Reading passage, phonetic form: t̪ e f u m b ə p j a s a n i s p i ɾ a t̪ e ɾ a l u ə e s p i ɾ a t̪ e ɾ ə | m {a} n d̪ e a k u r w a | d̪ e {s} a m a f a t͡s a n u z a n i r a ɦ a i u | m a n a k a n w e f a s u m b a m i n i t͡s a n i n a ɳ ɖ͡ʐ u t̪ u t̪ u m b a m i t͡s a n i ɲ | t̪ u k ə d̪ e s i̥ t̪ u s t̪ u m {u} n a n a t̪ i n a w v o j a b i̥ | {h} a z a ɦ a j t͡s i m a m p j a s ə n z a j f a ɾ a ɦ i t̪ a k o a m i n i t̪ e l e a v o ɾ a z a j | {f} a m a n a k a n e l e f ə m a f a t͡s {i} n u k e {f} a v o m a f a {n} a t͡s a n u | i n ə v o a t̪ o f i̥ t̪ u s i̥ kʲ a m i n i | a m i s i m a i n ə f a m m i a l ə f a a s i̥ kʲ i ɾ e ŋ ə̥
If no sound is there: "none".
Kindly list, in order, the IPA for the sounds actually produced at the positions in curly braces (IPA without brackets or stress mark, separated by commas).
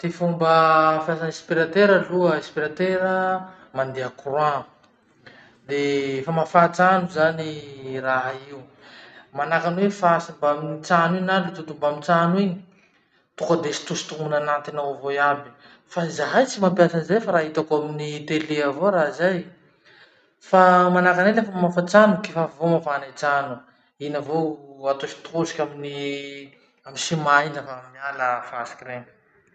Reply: a, f, u, f, f, a, f, n